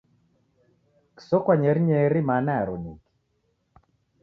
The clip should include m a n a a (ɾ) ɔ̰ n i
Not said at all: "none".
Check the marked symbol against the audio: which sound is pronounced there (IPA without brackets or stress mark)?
ɾ